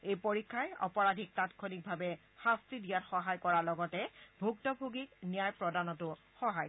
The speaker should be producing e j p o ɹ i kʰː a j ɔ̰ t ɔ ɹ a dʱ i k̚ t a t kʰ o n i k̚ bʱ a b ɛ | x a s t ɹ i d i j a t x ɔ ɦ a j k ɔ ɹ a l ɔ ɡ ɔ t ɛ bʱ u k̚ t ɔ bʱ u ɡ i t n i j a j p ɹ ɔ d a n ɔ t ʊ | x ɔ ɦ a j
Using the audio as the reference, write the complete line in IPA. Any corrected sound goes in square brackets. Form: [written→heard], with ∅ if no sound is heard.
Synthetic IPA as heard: e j p o ɹ i kʰː a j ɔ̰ [t→p] ɔ ɹ a dʱ i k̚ t a t kʰ o n i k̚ bʱ a b ɛ | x a s t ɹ i d i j a t x ɔ ɦ a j k ɔ ɹ a l ɔ ɡ ɔ t ɛ bʱ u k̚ t ɔ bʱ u ɡ i [t→k] n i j a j p ɹ ɔ d a n ɔ t ʊ | x ɔ ɦ a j